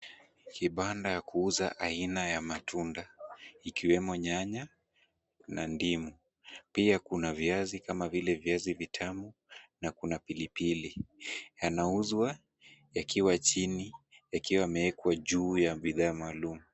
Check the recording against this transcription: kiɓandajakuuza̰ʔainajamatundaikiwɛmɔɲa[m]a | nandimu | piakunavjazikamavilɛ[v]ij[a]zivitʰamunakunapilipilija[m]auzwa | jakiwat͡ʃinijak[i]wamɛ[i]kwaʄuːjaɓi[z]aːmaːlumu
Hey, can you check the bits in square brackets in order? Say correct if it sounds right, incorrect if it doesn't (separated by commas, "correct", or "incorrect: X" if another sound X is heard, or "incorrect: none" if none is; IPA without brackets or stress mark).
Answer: incorrect: ɲ, correct, correct, incorrect: n, correct, incorrect: ɛ, incorrect: ð